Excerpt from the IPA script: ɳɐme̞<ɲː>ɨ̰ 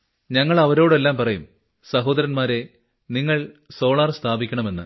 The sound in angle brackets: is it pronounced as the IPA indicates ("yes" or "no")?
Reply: no